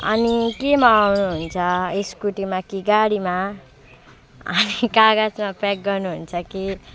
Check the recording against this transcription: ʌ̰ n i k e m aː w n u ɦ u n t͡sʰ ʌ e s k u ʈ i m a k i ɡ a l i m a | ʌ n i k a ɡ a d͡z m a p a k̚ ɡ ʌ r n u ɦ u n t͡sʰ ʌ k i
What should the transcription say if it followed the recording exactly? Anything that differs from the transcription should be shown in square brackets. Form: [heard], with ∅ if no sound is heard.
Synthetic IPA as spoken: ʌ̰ n i k e m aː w n u ɦ u n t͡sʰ ʌ e s k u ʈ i m a k i ɡ a [ɽ] i m a | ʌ n i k a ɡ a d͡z m a p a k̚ ɡ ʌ r n u ɦ u n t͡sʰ ʌ k i